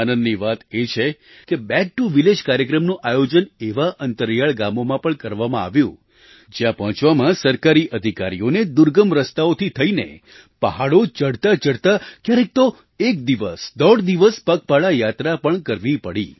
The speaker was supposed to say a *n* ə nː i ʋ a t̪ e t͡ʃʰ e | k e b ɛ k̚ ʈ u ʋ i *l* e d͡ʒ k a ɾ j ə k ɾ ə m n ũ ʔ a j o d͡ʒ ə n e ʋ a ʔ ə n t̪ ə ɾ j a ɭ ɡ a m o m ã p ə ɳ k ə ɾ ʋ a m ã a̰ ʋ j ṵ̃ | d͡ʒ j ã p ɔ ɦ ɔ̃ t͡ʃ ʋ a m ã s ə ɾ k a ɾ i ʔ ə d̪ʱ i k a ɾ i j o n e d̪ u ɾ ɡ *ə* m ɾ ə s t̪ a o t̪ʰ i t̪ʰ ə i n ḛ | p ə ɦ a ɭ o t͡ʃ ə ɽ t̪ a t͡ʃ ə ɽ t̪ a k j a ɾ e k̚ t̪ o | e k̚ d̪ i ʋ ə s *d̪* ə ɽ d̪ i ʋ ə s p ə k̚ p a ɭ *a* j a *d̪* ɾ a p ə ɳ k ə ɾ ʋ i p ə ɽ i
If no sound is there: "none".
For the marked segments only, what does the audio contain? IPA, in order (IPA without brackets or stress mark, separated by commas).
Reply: n, l, ə, d̪, a, t̪